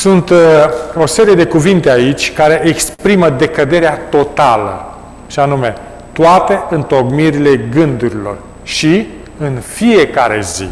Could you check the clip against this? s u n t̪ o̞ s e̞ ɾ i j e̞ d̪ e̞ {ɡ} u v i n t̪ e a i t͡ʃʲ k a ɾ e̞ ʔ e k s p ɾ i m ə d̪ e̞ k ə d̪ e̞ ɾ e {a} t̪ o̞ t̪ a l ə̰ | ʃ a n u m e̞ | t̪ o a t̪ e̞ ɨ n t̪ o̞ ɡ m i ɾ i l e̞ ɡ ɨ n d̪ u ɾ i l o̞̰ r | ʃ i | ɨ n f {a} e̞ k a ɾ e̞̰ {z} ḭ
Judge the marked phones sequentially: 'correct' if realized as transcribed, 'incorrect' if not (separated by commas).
incorrect, correct, incorrect, correct